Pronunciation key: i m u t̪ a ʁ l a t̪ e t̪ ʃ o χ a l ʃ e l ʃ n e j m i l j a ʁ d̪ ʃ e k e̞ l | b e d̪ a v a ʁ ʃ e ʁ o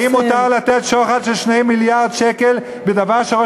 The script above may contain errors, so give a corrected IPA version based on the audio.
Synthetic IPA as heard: i m u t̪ a ʁ l a t̪ e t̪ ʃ o χ a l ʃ e l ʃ n e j m i l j a ʁ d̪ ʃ e k e̞ l | b e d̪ a v a ʁ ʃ e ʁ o